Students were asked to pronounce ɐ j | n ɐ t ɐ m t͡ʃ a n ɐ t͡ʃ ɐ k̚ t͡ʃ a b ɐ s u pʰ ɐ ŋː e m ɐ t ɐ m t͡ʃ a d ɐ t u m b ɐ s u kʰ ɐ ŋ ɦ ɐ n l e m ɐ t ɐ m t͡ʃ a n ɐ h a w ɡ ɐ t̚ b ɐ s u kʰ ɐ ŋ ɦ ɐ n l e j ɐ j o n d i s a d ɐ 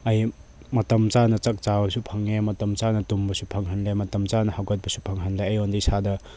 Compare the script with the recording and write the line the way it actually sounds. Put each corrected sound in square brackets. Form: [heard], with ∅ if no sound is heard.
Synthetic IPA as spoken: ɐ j | [m] ɐ t ɐ m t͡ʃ a n ɐ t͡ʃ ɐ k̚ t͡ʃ a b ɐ s u pʰ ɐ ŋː e m ɐ t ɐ m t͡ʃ a [n] ɐ t u m b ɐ s u [pʰ] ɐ ŋ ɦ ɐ n l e m ɐ t ɐ m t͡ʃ a n ɐ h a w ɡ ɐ t̚ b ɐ s u [pʰ] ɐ ŋ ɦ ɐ n l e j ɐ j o n d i s a d ɐ